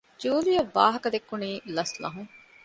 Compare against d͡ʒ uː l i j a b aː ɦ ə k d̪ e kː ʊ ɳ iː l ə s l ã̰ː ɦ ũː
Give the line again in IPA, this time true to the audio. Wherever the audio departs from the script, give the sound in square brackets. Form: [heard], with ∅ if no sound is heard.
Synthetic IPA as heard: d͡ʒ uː l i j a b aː ɦ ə k d̪ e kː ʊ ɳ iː l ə s l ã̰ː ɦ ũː